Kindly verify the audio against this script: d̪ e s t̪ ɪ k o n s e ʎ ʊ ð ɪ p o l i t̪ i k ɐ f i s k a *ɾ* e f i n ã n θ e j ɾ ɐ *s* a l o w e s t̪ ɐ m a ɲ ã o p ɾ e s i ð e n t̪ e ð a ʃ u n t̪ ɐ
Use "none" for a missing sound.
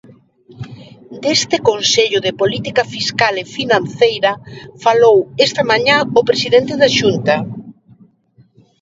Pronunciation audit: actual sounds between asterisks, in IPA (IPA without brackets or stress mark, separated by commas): l, f